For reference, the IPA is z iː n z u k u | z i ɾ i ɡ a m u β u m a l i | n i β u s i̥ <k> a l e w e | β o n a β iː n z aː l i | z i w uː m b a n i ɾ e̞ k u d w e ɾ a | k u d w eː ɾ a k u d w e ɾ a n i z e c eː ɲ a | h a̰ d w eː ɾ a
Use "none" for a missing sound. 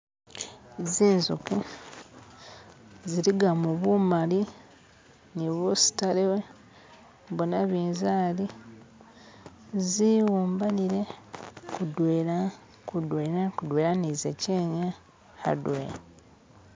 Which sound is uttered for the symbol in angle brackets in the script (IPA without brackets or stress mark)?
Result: t